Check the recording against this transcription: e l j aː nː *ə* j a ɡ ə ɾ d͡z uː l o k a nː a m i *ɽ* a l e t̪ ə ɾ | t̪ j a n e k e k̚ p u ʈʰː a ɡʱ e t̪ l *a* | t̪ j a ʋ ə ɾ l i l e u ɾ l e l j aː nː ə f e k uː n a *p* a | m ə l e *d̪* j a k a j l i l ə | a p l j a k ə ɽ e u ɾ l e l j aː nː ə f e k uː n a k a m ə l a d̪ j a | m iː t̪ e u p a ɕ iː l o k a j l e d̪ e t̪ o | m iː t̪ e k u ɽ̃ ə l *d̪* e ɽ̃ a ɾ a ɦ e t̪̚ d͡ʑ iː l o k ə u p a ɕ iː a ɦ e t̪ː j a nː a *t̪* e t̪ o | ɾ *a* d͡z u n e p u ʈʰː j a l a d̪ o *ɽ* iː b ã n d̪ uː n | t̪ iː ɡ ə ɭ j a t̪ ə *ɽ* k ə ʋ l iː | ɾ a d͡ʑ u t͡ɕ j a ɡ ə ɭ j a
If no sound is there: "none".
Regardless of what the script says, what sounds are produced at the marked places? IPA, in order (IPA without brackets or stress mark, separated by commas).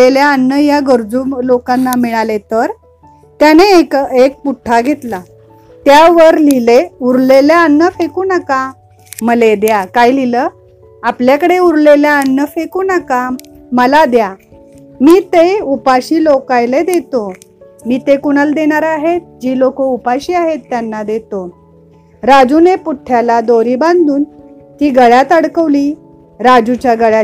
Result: ə, ɭ, a, k, d̪, d̪, d̪, a, ɾ, ɽ